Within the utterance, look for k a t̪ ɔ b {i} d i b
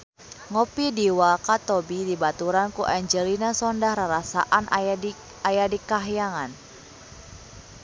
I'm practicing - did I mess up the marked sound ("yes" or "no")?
no